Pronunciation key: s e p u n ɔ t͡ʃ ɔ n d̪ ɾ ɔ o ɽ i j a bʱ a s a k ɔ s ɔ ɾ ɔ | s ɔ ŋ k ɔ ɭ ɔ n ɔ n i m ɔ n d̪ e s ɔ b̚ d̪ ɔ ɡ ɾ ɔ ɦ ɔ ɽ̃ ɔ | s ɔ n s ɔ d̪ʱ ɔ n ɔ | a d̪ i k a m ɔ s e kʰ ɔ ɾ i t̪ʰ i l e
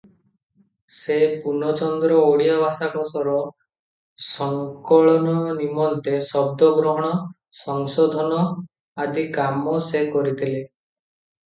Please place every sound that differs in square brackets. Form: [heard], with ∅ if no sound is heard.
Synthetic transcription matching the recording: s e p u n ɔ t͡ʃ ɔ n d̪ ɾ ɔ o ɽ i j a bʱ a s a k ɔ s ɔ ɾ ɔ | s ɔ ŋ k ɔ ɭ ɔ n ɔ n i m ɔ n [t̪] e s ɔ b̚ d̪ ɔ ɡ ɾ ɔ ɦ ɔ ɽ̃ ɔ | s ɔ [ŋ] s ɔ d̪ʱ ɔ n ɔ | a d̪ i k a m ɔ s e [k] ɔ ɾ i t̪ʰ i l e